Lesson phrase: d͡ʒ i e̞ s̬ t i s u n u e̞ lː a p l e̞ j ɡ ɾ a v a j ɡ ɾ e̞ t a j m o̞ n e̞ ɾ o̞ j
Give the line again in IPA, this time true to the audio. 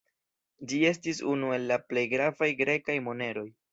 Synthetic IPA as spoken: d͡ʒ i e̞ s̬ t i s u n u e̞ lː a p l e̞ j ɡ ɾ a v a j ɡ ɾ e̞ k a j m o̞ n e̞ ɾ o̞ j